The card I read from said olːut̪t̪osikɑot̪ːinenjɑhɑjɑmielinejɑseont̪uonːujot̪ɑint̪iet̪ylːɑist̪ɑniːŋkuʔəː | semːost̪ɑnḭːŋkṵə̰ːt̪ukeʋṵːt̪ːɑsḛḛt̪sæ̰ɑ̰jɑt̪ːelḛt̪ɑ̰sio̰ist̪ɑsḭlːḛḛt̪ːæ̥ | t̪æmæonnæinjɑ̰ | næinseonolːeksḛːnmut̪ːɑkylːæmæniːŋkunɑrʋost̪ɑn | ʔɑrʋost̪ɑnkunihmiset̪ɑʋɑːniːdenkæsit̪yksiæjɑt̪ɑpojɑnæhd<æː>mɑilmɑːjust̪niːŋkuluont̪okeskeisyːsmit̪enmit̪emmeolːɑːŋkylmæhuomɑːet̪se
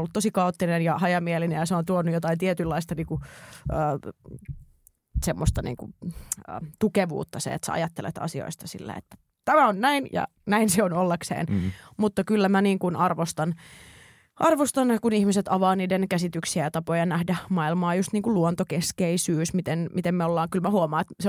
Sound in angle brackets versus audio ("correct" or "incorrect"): incorrect